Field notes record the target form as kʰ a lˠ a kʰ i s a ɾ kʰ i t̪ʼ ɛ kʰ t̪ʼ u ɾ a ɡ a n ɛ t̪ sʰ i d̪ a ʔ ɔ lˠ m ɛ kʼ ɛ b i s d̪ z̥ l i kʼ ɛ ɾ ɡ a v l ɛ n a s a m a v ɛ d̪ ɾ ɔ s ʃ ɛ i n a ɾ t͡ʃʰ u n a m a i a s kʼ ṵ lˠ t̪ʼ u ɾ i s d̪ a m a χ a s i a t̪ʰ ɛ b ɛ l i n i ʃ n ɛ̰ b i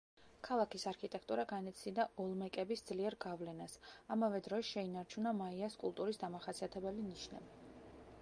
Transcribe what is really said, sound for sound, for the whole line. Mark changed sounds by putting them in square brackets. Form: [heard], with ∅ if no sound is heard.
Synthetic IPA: kʰ a lˠ a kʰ i s a ɾ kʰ i t̪ʼ ɛ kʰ t̪ʼ u ɾ a ɡ a n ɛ t̪ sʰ i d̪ a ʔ ɔ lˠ m ɛ kʼ ɛ b i s d̪ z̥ l i [∅] ɛ ɾ ɡ a v l ɛ n a s a m a v ɛ d̪ ɾ ɔ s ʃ ɛ i n a ɾ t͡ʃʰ u n a m a i a s kʼ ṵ lˠ t̪ʼ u ɾ i s d̪ a m a χ a s i a t̪ʰ ɛ b ɛ l i n i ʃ n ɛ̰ b i